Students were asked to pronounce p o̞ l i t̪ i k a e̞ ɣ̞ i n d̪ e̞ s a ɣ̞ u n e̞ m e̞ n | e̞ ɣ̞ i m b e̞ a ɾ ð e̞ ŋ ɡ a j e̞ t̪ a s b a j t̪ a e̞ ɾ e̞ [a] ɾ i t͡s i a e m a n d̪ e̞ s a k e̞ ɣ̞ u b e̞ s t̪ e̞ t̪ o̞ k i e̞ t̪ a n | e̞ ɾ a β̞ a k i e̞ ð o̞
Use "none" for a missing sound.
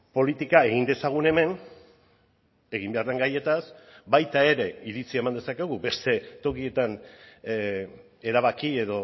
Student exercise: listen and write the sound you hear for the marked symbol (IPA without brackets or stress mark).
i